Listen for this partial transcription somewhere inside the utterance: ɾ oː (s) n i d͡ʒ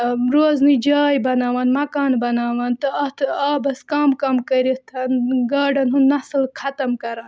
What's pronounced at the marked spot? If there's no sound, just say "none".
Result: z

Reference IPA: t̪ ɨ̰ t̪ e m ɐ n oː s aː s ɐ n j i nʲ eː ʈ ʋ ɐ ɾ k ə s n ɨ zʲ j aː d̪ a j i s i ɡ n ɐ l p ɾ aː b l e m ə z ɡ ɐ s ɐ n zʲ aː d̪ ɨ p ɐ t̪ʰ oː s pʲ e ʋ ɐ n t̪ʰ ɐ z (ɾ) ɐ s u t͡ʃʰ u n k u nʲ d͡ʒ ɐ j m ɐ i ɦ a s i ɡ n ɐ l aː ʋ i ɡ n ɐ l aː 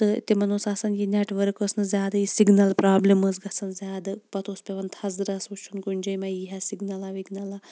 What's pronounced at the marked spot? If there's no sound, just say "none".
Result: ɾ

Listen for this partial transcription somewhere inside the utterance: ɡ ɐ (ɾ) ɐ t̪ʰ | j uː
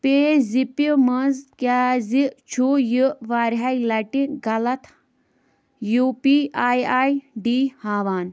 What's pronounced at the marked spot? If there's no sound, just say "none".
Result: l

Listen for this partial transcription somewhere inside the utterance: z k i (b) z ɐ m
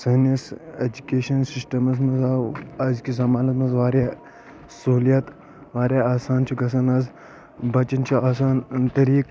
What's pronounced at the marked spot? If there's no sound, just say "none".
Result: none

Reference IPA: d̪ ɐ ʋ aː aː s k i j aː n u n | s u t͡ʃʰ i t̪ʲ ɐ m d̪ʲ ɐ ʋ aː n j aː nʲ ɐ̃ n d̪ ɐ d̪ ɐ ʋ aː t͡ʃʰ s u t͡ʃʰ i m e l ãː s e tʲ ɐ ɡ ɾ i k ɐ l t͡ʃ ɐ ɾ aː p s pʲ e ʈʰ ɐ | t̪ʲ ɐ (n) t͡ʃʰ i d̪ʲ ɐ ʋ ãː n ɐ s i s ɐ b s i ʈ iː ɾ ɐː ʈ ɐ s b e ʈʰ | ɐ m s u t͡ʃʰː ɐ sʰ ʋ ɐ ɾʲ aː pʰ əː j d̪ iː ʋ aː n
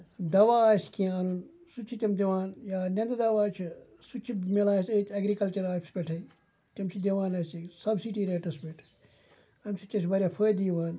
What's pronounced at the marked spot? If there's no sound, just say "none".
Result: m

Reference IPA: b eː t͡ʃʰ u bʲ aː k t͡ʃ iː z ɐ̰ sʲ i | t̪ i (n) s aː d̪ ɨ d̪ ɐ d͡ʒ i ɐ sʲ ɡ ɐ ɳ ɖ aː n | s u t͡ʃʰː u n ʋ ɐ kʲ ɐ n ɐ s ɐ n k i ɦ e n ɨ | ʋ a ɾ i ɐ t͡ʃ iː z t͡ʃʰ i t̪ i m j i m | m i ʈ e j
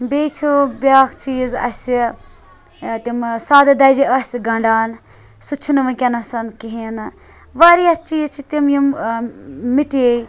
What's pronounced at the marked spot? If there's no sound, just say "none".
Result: m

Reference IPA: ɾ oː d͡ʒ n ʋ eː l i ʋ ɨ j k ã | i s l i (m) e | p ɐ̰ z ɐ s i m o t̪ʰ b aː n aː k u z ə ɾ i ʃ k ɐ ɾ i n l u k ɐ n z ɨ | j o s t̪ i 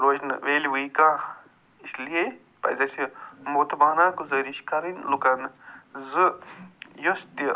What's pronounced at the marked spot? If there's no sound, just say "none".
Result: none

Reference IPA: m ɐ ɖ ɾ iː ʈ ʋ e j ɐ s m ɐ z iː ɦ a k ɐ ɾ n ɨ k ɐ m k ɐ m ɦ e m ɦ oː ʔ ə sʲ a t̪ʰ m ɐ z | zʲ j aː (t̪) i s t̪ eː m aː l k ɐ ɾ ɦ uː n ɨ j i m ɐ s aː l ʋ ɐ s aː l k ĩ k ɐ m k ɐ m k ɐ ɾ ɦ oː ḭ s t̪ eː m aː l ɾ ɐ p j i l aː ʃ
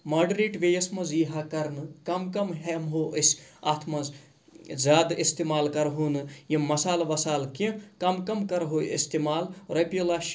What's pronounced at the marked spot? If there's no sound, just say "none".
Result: d̪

